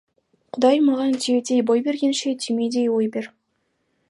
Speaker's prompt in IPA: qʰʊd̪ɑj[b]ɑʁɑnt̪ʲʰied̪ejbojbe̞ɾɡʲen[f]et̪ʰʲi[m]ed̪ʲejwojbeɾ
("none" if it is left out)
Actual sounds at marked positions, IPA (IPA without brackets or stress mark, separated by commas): m, ʃ, m